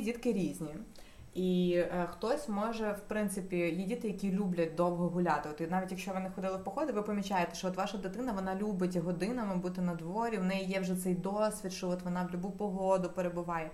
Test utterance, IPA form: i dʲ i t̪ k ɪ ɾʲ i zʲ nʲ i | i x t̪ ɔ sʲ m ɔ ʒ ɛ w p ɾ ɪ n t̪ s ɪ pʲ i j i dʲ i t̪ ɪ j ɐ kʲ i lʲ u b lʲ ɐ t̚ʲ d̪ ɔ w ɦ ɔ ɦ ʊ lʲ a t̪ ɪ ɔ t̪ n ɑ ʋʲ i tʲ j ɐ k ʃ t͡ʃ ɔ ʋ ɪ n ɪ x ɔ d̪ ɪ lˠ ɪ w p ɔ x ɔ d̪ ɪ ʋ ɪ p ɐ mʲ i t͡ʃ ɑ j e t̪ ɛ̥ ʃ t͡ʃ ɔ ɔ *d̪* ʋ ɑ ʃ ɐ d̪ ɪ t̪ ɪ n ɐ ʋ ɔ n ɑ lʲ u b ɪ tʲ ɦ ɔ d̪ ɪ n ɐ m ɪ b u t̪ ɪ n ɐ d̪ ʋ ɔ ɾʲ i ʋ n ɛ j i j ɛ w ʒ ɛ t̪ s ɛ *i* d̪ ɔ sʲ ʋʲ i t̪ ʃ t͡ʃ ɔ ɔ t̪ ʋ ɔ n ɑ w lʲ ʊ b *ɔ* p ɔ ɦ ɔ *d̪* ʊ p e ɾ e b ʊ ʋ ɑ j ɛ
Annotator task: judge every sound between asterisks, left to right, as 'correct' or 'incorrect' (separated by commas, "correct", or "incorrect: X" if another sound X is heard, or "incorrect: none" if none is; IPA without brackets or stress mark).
incorrect: t̪, incorrect: j, incorrect: u, correct